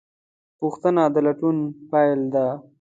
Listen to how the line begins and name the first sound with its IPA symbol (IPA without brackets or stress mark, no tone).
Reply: p